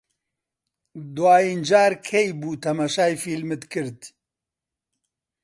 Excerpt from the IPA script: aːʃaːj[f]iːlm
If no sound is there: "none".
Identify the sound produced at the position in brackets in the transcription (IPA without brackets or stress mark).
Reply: f